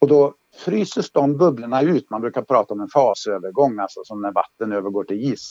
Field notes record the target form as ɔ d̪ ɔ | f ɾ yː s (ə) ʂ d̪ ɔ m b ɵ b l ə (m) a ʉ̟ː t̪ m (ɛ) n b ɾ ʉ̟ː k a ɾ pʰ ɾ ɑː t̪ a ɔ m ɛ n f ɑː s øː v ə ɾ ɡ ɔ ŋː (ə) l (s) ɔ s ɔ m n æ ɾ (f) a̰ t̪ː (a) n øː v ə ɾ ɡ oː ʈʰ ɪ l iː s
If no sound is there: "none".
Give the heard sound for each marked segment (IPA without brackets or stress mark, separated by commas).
ə, ɳ, a, a, s, v, ə